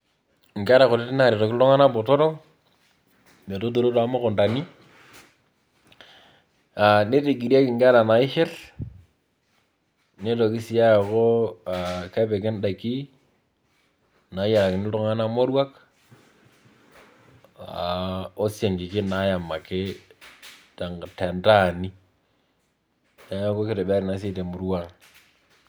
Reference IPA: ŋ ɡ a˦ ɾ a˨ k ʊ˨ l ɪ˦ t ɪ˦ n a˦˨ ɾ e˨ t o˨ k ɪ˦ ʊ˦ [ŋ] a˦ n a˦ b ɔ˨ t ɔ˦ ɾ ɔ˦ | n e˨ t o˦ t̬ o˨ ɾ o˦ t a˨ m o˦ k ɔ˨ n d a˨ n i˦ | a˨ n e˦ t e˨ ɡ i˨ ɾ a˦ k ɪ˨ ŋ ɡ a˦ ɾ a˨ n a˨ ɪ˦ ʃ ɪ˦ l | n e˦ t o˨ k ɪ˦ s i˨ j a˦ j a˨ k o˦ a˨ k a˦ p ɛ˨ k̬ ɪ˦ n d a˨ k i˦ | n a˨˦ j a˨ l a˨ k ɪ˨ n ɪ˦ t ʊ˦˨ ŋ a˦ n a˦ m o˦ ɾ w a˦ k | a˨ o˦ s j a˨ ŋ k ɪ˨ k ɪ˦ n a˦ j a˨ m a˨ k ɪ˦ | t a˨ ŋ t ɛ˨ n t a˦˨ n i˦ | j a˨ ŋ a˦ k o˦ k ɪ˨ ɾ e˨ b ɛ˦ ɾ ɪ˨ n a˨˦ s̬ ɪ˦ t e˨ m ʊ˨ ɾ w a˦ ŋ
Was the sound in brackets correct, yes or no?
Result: yes